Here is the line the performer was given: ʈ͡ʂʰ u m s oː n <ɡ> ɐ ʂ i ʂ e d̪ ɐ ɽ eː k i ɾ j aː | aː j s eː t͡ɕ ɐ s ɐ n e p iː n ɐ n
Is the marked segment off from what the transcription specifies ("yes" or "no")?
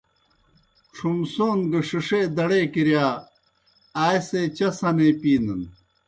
no